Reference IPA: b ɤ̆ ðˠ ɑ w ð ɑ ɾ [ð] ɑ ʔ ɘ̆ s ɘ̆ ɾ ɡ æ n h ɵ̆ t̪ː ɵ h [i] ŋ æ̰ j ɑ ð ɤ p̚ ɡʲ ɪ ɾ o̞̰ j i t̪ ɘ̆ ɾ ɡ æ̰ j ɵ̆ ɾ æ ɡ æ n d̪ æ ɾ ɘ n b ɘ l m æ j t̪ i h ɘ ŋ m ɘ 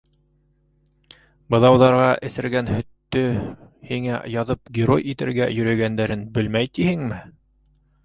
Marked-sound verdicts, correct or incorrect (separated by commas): incorrect, correct